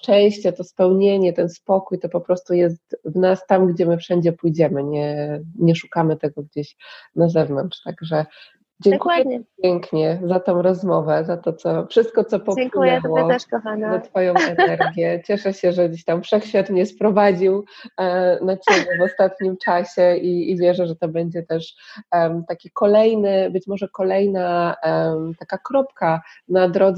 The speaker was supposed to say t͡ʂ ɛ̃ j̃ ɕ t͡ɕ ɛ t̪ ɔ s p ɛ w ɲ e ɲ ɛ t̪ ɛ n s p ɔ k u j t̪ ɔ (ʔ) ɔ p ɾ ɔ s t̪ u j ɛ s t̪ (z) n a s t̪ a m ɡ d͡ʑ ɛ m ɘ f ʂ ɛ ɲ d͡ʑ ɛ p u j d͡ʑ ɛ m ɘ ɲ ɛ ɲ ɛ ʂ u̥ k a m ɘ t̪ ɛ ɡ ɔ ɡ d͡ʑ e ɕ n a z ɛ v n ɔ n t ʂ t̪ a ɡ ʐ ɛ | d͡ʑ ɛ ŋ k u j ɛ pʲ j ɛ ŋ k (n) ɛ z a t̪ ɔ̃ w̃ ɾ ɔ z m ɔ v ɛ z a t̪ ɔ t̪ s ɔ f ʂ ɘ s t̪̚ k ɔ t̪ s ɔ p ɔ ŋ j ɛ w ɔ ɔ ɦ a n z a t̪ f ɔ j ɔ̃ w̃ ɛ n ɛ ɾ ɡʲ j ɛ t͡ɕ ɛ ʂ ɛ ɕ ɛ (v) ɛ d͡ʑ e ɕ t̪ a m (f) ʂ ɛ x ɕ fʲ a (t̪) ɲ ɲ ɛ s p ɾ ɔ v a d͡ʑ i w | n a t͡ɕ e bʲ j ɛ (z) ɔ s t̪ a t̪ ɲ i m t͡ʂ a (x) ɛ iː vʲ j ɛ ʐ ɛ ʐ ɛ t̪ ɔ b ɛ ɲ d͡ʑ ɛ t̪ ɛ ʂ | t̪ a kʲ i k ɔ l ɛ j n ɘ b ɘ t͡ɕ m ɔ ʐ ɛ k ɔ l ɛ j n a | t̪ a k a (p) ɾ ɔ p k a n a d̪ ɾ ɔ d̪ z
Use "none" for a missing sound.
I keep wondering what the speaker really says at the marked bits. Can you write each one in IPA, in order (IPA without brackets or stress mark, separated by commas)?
p, v, ɲ, ʐ, f, t̪, v, ɕ, k